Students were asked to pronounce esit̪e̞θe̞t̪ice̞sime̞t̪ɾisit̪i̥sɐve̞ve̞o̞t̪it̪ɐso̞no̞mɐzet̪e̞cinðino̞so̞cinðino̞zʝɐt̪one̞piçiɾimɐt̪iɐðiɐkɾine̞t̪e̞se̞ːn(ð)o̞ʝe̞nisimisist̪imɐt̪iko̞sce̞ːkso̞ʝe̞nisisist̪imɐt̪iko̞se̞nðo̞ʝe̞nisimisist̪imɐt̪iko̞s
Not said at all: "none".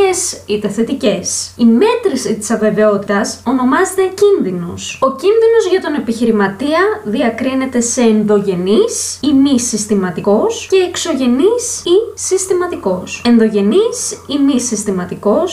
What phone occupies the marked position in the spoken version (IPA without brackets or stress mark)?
ð